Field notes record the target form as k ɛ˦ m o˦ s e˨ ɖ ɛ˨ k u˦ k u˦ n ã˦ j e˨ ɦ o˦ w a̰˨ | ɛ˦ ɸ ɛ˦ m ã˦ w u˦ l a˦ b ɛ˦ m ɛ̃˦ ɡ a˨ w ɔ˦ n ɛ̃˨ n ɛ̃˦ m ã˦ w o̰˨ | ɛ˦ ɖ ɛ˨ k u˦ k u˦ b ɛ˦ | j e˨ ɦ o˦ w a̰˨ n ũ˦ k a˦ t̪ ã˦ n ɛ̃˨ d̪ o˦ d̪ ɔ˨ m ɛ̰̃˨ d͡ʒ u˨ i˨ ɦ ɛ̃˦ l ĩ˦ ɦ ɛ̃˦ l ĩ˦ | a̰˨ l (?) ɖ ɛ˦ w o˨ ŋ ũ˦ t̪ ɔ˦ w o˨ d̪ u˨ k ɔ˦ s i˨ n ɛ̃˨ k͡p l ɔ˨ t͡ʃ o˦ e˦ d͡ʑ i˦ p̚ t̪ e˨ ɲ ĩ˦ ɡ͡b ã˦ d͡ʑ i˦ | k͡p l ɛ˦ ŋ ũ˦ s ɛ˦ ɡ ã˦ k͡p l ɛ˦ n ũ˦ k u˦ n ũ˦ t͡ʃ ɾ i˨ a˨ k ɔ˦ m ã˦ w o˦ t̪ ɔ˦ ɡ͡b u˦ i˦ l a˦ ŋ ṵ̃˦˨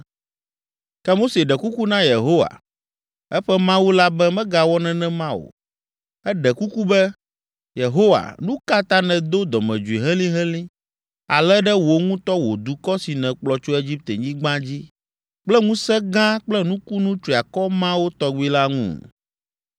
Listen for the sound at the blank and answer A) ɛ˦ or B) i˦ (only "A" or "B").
A